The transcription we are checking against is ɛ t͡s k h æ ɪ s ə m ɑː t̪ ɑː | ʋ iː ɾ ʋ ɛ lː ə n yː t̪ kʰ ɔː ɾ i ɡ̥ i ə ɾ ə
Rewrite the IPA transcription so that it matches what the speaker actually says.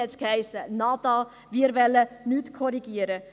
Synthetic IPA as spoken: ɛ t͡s k h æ ɪ s ə n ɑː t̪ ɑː | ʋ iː ɾ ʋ ɛ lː ə n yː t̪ kʰ ɔ ɾ i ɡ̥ i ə ɾ ə